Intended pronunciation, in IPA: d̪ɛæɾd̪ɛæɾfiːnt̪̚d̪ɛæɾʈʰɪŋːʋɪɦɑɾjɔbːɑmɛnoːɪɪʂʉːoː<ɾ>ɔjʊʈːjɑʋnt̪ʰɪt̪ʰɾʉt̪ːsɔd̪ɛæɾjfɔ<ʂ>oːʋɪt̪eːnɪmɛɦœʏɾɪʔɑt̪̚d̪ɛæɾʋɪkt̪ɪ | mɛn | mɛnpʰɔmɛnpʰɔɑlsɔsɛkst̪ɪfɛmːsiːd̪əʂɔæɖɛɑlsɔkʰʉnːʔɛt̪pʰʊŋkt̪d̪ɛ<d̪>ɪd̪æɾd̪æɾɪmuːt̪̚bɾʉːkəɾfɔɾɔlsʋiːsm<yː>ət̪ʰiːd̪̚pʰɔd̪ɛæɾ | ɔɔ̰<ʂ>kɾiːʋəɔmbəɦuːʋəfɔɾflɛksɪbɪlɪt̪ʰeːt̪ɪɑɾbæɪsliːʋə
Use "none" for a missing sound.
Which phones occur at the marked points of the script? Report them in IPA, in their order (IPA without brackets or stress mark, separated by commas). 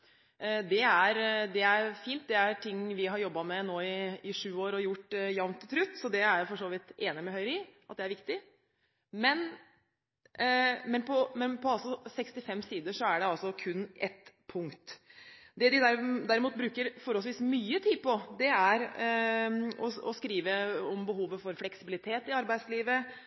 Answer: ɾ, ʂ, d̪, yː, s